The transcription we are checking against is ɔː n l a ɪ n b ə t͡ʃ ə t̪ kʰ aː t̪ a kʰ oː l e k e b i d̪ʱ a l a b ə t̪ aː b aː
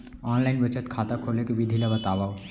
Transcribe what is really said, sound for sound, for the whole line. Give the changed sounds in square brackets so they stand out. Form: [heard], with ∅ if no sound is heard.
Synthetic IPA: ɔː n l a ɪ n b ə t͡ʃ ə t̪ kʰ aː t̪ a kʰ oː l e k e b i d̪ʱ [i] l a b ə t̪ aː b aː